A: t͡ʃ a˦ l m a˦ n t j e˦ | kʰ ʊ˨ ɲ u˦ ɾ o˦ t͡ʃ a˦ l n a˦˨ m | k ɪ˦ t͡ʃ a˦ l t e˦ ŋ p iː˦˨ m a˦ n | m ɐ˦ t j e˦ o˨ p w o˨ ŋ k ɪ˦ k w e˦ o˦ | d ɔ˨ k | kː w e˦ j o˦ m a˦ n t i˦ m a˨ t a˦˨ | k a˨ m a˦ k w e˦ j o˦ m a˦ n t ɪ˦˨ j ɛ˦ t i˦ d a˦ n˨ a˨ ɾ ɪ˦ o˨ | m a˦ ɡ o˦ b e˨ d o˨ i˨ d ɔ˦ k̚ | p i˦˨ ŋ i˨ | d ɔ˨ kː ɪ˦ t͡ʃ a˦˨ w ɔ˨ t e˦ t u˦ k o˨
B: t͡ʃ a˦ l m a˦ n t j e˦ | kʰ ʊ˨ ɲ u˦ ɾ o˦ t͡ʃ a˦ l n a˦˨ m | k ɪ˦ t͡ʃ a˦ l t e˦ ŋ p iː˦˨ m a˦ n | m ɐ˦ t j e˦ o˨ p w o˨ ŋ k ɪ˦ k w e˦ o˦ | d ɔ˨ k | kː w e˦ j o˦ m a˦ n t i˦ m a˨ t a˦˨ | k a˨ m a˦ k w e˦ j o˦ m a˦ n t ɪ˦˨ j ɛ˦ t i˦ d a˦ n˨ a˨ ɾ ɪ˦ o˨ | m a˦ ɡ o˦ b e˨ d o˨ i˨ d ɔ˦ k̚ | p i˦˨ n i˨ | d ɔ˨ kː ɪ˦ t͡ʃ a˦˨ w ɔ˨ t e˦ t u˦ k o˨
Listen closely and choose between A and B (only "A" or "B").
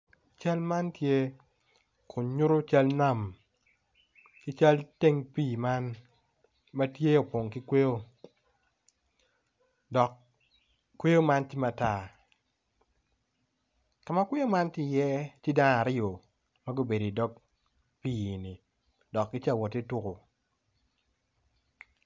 B